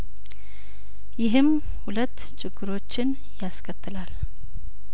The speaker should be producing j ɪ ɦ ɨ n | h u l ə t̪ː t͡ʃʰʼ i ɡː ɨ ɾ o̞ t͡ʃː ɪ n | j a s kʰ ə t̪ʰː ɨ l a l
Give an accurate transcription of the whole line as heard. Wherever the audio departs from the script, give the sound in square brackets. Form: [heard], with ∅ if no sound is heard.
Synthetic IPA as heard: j ɪ ɦ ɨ [m] | h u l ə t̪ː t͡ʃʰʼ [ɪ] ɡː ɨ ɾ o̞ t͡ʃː ɪ n | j a s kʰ ə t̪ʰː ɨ l a l